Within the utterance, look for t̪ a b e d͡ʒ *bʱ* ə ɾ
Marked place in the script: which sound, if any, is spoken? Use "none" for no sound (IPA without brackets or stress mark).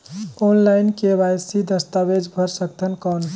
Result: bʱ